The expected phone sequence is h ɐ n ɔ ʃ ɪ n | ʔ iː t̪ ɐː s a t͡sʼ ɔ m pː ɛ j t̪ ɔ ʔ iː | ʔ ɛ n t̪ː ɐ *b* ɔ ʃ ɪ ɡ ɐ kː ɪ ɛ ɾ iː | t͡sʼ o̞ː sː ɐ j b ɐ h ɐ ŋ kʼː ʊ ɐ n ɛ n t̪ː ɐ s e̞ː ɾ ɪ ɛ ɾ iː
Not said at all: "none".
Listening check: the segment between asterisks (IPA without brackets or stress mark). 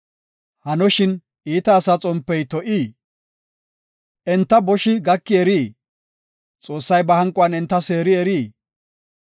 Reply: b